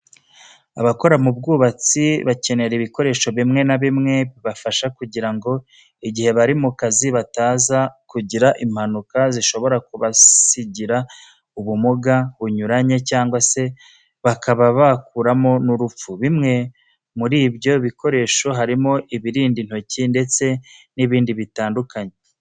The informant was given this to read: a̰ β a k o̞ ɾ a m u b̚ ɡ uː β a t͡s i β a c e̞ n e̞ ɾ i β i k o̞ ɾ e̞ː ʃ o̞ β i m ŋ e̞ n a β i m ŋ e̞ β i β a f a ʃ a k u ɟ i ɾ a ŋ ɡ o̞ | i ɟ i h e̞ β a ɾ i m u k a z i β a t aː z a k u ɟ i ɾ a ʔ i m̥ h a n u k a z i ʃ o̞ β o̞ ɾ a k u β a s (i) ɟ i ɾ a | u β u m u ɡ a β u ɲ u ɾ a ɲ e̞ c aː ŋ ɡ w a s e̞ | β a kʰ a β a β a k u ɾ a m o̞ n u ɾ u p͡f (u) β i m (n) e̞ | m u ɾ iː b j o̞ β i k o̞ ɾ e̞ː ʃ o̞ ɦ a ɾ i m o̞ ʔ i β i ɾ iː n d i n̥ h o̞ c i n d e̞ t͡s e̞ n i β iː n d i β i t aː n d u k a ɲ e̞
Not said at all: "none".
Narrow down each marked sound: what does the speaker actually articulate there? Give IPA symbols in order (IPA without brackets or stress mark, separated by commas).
i, u, ŋ